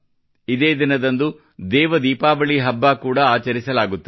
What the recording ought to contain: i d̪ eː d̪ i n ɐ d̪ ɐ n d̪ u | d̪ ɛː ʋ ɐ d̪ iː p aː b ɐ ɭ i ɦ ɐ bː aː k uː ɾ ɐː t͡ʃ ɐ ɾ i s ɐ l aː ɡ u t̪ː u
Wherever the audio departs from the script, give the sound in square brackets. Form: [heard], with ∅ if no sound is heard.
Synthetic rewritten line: i d̪ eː d̪ i n ɐ d̪ ɐ n d̪ u | d̪ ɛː ʋ ɐ d̪ iː p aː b ɐ ɭ i ɦ ɐ bː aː k uː [ɽ] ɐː t͡ʃ ɐ ɾ i s ɐ l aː ɡ u t̪ː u